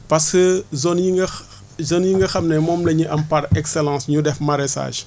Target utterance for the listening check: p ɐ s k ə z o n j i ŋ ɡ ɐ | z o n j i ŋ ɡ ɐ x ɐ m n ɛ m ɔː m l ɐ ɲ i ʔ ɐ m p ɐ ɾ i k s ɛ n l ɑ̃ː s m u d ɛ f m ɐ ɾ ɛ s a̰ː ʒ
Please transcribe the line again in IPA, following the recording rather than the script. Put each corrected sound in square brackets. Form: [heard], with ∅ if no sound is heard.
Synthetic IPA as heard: p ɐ s k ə z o n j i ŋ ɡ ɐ | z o n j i ŋ ɡ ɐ x ɐ m n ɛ m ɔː m l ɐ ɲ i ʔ ɐ m p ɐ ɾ [ɛ] k s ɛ [∅] l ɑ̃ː s [ɲ] u d ɛ f m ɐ ɾ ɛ s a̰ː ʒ